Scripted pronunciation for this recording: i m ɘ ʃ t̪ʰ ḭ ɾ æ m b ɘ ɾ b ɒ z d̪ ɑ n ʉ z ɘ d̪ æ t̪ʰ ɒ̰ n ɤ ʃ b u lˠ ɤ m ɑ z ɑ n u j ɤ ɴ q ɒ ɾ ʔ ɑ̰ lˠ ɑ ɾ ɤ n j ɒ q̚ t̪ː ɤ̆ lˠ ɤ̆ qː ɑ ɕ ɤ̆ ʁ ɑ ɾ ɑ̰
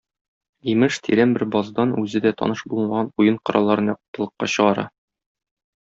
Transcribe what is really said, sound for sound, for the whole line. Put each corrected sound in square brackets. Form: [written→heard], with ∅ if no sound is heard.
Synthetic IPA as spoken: i m ɘ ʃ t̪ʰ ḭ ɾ æ m b ɘ ɾ b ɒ z d̪ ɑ n ʉ z ɘ d̪ æ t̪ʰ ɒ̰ n ɤ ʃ b u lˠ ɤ m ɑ [z→ʁ] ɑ n u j ɤ ɴ q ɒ ɾ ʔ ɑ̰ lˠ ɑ ɾ ɤ n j ɒ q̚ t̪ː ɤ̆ lˠ ɤ̆ qː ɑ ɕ ɤ̆ ʁ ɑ ɾ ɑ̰